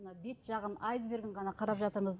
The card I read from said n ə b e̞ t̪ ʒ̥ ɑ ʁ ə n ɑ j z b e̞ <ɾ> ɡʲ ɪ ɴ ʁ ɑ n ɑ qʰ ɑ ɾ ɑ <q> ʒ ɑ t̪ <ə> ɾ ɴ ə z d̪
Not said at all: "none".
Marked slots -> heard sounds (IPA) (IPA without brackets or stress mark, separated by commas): ɾ, p, ə